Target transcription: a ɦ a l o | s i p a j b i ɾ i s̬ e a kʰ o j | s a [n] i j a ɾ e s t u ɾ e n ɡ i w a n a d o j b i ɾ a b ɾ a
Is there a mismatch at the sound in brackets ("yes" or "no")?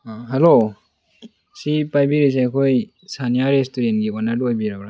no